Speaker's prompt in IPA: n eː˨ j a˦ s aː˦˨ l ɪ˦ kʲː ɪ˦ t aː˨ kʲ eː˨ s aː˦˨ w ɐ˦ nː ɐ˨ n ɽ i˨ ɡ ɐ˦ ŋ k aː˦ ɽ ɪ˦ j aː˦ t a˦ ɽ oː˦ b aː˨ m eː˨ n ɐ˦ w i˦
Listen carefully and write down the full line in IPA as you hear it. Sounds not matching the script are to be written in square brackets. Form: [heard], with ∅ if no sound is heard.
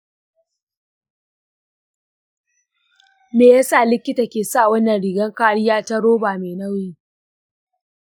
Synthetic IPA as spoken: [m] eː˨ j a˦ s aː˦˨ l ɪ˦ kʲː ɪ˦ t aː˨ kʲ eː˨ s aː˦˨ w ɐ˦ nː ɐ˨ n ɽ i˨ ɡ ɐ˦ ŋ k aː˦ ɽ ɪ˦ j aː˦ t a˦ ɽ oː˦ b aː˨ m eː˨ n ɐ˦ w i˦

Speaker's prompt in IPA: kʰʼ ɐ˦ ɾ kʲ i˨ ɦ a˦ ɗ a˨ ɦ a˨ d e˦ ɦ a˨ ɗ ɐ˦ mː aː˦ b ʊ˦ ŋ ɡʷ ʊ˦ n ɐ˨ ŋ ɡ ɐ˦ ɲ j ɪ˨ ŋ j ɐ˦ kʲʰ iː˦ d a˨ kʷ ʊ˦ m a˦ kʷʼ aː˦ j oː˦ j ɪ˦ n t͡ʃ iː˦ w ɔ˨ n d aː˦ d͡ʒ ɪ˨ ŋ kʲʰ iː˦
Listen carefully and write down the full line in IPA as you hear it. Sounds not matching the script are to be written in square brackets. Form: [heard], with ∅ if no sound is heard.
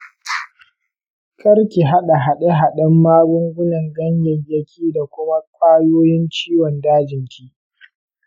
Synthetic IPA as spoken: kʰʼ ɐ˦ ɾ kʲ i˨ ɦ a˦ ɗ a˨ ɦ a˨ [ɗ] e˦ ɦ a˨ ɗ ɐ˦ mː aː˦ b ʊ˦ ŋ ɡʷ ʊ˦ n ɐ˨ ŋ ɡ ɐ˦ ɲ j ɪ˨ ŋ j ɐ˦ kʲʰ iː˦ d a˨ kʷ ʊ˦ m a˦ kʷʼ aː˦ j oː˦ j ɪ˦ n t͡ʃ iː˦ w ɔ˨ n d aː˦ d͡ʒ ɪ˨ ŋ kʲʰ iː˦

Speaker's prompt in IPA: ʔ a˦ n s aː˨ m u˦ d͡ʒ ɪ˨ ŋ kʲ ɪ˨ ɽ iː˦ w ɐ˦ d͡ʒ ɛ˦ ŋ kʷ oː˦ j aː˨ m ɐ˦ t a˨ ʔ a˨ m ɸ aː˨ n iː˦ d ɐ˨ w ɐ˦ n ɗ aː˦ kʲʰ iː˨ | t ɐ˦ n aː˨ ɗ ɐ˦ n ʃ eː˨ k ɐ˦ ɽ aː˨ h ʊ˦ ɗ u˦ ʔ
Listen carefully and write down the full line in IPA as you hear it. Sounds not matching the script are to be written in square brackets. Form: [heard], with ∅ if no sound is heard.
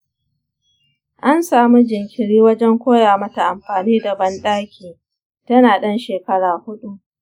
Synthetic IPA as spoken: ʔ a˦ n s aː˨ m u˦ d͡ʒ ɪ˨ ŋ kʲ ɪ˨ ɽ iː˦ w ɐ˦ d͡ʒ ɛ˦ ŋ kʷ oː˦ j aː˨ m ɐ˦ t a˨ ʔ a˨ m ɸ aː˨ n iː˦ d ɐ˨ [b] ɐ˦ n ɗ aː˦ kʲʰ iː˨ | t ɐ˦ n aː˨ ɗ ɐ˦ n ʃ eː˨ k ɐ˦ ɽ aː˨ h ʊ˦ ɗ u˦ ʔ

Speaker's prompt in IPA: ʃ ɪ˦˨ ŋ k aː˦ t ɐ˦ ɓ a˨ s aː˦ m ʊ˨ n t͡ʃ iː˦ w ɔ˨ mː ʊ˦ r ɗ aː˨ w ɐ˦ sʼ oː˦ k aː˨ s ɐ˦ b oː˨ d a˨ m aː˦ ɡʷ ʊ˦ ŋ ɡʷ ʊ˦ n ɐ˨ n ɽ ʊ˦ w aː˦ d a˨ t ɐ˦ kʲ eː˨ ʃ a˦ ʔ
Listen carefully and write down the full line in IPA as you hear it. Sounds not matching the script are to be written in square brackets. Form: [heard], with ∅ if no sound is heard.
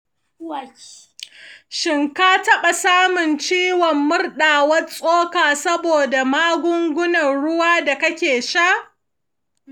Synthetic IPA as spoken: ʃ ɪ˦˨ ŋ k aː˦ t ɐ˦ ɓ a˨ s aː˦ m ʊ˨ n t͡ʃ iː˦ w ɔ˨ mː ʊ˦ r ɗ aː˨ w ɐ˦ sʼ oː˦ k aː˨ s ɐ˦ b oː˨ d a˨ m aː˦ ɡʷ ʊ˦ ŋ ɡʷ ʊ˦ n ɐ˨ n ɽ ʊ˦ w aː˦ d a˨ [k] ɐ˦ kʲ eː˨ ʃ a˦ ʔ

